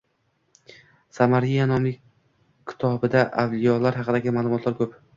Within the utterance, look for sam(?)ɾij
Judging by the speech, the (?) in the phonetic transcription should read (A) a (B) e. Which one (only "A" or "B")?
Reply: A